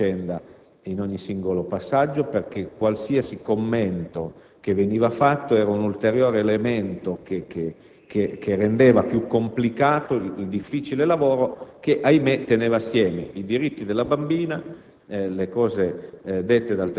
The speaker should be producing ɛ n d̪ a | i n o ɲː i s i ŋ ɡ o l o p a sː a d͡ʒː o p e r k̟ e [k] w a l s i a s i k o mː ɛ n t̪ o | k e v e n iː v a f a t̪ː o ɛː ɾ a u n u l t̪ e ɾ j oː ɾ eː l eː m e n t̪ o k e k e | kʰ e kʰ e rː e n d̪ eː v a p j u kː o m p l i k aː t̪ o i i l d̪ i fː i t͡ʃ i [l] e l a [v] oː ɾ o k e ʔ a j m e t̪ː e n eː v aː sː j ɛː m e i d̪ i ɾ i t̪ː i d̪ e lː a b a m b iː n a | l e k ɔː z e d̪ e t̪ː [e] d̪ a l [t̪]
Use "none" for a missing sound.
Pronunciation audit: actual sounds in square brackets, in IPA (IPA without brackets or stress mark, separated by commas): k, l, v, e, t̪